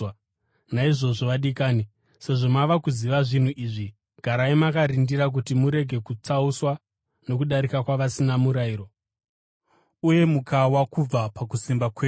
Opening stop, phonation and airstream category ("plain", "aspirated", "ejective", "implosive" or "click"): implosive